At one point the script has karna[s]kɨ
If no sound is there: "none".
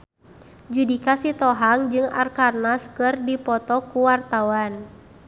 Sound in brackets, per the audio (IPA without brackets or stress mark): s